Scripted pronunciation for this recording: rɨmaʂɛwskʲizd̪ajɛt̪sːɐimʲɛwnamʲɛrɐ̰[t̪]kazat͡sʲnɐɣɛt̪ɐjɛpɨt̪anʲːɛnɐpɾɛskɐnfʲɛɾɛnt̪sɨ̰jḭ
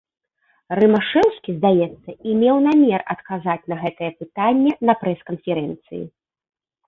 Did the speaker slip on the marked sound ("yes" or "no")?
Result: no